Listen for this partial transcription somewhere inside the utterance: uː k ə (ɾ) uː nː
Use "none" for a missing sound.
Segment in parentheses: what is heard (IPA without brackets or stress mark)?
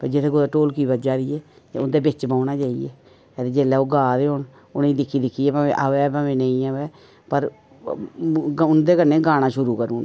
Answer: ɾ